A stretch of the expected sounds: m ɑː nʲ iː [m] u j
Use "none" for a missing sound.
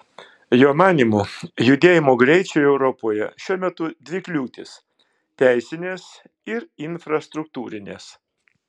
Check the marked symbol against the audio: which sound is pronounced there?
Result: m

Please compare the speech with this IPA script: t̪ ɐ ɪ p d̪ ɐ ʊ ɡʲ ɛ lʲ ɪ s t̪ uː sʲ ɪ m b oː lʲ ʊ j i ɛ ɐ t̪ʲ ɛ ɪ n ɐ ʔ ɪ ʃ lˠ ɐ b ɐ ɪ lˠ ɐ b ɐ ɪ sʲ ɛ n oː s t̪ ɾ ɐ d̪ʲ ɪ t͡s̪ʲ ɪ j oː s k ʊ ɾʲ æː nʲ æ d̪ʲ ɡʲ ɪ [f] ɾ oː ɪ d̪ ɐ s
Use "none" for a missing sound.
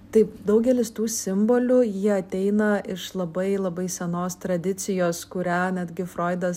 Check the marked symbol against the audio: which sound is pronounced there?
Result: f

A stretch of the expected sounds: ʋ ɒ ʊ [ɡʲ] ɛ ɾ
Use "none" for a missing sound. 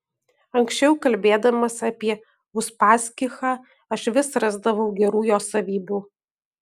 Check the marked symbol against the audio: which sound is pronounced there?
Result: ɡʲ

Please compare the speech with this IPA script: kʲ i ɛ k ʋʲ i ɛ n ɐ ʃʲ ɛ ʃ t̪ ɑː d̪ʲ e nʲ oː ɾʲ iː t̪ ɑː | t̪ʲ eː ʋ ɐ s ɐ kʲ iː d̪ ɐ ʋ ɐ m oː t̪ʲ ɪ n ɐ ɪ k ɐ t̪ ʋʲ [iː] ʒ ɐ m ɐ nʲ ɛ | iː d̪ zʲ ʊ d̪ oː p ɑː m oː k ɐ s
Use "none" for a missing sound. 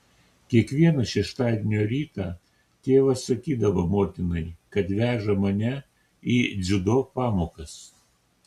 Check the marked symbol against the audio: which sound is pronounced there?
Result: æː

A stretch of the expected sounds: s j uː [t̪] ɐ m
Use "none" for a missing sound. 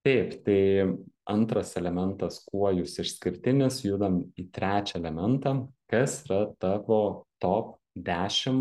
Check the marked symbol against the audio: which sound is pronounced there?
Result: d̪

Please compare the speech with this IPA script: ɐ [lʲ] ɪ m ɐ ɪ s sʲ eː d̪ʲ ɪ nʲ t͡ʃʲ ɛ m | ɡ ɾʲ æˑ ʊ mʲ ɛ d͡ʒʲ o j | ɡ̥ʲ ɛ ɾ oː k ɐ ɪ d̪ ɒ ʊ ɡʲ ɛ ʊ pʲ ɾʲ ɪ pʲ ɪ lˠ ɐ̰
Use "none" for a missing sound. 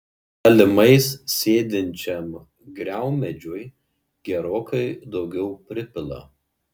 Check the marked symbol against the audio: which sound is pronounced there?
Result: lʲ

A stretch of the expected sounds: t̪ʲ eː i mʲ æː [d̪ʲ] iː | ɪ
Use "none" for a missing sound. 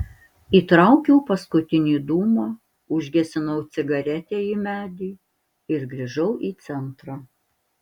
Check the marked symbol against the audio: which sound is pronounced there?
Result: d̪ʲ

